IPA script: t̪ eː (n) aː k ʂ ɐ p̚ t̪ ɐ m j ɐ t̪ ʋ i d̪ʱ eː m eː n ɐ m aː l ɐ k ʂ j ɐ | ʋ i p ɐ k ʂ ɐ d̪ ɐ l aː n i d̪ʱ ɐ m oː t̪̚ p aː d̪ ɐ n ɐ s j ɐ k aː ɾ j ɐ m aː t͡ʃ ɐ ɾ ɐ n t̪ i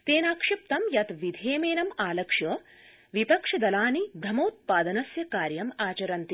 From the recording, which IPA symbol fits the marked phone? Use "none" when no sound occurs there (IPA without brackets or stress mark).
n